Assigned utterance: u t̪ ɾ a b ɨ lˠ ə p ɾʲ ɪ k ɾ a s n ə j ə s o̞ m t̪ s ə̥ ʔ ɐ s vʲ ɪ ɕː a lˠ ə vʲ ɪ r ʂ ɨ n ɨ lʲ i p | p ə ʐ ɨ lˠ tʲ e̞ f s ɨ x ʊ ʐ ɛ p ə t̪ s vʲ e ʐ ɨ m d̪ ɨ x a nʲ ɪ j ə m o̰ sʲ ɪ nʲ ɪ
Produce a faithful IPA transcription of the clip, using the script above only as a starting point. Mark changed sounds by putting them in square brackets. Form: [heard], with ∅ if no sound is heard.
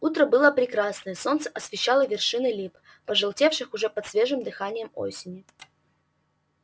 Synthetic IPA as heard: u t̪ ɾ [ə] b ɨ lˠ ə p ɾʲ ɪ k ɾ a s n ə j ə s o̞ [n] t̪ s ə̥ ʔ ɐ s vʲ ɪ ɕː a lˠ ə vʲ ɪ r ʂ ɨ n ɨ lʲ i p | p ə ʐ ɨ lˠ tʲ e̞ f [ʂ] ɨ x ʊ ʐ ɛ p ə t̪ s vʲ e ʐ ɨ m d̪ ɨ x a nʲ ɪ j ə m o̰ sʲ ɪ nʲ ɪ